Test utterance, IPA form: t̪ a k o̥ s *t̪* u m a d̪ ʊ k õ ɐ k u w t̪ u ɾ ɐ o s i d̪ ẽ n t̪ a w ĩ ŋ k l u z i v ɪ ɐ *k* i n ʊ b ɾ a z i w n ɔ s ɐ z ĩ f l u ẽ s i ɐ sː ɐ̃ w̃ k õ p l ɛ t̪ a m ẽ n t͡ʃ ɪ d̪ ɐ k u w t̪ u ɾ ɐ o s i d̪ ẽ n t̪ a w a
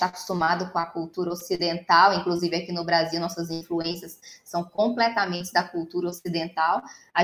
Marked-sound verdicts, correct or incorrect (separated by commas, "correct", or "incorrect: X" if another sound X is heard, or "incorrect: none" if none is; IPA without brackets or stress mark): correct, correct